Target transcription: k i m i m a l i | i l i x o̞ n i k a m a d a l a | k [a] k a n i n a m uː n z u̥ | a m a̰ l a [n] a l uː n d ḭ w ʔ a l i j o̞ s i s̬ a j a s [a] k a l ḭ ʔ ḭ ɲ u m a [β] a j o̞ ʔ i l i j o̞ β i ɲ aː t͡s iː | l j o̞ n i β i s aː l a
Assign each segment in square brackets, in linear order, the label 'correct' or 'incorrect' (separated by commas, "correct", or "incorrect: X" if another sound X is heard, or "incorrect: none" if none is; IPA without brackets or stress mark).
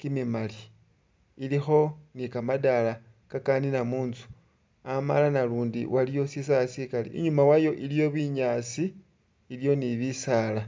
correct, correct, incorrect: i, incorrect: w